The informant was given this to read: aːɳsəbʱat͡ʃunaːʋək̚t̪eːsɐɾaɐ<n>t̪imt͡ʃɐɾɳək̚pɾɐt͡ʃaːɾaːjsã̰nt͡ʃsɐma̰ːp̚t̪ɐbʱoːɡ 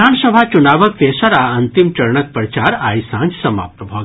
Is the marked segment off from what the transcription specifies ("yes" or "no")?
no